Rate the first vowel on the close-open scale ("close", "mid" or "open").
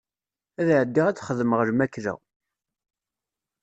open